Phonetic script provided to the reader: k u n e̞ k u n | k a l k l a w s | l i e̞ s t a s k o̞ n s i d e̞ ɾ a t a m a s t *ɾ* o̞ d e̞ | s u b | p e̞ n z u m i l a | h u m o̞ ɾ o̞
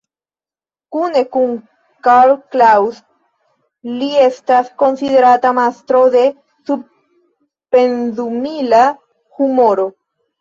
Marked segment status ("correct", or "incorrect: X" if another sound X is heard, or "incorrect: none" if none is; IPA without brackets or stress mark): correct